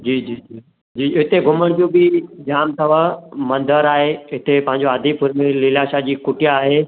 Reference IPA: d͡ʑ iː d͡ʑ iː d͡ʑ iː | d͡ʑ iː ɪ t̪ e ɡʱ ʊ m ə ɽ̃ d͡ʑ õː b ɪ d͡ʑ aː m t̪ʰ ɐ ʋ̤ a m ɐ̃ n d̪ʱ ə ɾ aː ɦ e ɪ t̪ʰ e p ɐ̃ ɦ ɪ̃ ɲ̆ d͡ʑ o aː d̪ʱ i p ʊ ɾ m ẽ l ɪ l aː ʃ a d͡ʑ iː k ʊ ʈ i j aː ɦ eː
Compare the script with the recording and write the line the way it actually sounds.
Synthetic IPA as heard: d͡ʑ iː d͡ʑ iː d͡ʑ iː | d͡ʑ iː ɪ t̪ e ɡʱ ʊ m ə ɽ̃ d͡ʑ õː b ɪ d͡ʑ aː m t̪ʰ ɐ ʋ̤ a m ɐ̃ n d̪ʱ ə ɾ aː ɦ e ɪ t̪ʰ e p ɐ̃ ɦ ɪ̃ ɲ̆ d͡ʑ o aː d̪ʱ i p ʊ ɾ m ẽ l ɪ l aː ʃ a d͡ʑ iː k ʊ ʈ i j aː ɦ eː